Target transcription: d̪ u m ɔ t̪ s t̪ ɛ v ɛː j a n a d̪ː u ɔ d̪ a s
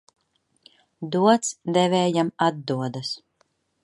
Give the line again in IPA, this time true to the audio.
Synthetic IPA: d̪ u ɔ t̪ s d̪ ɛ v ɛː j a m a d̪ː u ɔ d̪ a s